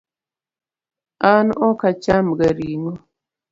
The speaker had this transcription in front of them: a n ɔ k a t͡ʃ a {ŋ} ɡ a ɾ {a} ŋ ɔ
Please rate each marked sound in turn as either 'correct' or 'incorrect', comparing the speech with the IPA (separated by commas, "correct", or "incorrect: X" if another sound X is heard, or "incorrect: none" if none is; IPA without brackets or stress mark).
incorrect: m, incorrect: i